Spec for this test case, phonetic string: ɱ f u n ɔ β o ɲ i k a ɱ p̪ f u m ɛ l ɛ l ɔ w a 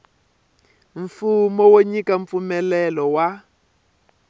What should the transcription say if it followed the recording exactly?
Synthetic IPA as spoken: ɱ f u m ɔ w o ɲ i k a ɱ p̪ f u m ɛ l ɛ l ɔ w a